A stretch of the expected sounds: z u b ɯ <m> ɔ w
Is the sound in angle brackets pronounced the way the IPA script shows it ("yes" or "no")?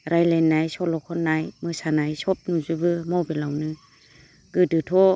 yes